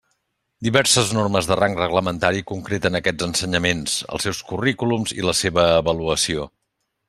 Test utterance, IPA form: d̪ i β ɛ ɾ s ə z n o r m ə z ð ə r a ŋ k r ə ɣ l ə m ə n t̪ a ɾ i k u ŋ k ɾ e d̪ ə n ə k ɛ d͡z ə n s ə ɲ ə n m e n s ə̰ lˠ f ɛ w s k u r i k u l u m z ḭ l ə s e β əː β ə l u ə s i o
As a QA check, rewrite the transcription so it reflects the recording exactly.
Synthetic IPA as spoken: d̪ i β ɛ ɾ s ə z n o r m ə z ð ə r a ŋ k r ə ɣ l ə m ə n t̪ a ɾ i k u ŋ k ɾ e t̪ ə n ə k ɛ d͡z ə n s ə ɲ ə m e n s ə̰ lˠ s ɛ w s k u r i k u l u m z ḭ l ə s e β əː β ə l u ə s i o